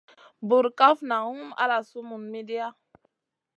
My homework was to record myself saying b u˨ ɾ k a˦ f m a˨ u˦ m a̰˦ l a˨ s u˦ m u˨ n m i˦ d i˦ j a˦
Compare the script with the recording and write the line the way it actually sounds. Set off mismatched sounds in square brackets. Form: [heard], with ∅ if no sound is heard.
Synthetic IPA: b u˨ ɾ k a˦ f [n] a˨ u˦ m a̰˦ l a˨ s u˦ m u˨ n m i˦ d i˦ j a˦